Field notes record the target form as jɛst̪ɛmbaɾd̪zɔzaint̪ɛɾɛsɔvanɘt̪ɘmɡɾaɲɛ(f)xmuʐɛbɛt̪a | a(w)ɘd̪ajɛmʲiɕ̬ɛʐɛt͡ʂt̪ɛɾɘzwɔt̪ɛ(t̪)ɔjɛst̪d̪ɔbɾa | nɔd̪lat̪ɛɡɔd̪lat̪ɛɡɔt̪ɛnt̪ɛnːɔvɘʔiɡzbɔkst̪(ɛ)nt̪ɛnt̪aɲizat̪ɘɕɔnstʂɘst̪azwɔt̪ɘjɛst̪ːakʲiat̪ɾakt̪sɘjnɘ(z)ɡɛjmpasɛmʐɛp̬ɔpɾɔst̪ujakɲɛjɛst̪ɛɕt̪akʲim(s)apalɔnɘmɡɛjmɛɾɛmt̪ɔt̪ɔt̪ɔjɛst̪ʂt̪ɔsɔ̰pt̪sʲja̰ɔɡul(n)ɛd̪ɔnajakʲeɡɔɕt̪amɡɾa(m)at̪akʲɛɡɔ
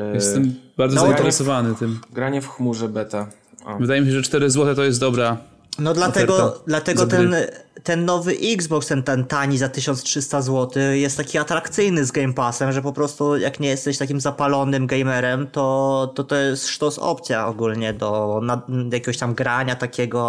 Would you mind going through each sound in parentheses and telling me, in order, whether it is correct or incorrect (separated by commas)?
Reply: correct, incorrect, correct, correct, correct, incorrect, incorrect, incorrect